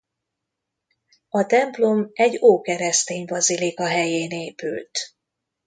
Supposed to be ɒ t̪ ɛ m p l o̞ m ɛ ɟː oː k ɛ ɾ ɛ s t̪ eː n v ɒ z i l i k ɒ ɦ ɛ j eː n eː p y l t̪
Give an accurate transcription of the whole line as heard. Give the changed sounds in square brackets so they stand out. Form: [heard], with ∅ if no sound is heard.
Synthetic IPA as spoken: ɒ t̪ ɛ m p l o̞ m ɛ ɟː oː k ɛ ɾ ɛ s t̪ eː [ɲ] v ɒ z i l i k ɒ ɦ ɛ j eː n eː p y l t̪